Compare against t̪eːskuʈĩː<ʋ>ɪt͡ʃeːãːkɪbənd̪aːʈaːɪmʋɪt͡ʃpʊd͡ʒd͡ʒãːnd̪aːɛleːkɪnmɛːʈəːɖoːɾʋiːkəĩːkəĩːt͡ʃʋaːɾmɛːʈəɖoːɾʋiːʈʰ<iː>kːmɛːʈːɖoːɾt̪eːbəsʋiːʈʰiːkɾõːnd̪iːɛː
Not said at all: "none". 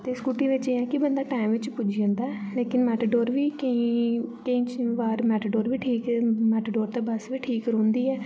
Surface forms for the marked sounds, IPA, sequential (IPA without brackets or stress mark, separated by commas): ʋ, iː